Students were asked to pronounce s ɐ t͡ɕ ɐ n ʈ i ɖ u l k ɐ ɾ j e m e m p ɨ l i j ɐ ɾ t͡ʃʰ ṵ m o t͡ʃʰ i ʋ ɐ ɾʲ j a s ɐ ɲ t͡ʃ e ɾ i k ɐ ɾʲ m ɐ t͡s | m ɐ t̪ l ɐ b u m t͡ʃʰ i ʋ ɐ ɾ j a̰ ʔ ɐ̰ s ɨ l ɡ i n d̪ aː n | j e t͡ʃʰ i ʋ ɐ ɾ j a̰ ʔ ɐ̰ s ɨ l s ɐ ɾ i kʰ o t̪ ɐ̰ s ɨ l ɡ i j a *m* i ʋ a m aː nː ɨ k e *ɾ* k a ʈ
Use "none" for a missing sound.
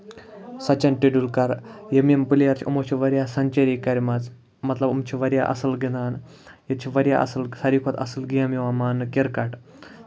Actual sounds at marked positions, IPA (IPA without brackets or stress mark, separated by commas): m, ɾ